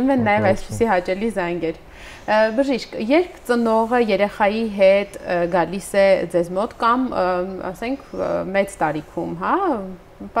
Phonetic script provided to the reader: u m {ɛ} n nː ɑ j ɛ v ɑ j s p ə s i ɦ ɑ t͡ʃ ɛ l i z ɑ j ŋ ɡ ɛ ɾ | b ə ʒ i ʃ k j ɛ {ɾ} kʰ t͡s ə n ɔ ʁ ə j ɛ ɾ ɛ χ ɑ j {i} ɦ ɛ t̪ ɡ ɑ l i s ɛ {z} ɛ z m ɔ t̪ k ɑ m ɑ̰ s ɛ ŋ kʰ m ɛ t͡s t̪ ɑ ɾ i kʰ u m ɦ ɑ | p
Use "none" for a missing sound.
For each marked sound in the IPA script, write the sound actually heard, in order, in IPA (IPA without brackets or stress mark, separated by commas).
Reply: ɛ, ɾ, i, d͡z